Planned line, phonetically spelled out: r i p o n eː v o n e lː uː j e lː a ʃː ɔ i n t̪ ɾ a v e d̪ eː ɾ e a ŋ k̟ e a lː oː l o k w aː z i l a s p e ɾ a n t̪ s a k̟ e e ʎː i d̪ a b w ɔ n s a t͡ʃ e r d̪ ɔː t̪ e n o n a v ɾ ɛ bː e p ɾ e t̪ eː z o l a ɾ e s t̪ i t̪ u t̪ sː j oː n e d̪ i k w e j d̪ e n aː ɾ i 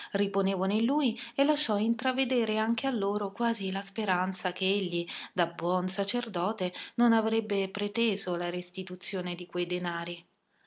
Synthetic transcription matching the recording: r i p o n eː v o n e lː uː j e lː a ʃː ɔ i n t̪ ɾ a v e d̪ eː ɾ e a ŋ k̟ e a lː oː ɾ o k w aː z i l a s p e ɾ a n t̪ s a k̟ e e ʎː i d̪ a b w ɔ n s a t͡ʃ e r d̪ ɔː t̪ e n o n a v ɾ ɛ bː e p ɾ e t̪ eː z o l a ɾ e s t̪ i t̪ u t̪ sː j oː n e d̪ i k w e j d̪ e n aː ɾ i